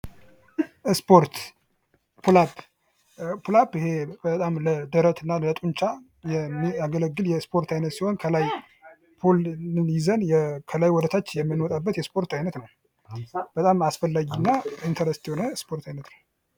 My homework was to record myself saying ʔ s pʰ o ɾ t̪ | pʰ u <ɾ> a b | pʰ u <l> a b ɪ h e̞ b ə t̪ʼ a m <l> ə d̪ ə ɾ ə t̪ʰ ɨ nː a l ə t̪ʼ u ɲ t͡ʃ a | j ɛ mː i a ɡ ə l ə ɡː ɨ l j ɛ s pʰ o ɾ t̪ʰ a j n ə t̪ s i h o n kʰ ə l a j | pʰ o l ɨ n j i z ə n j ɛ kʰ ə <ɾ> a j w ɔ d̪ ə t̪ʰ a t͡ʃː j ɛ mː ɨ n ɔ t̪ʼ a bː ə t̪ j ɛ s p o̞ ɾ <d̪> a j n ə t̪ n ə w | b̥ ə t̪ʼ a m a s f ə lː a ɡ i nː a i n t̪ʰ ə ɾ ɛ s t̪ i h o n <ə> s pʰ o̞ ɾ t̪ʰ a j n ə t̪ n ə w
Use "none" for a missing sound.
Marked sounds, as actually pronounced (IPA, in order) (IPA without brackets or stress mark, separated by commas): l, l, l, l, t̪, ə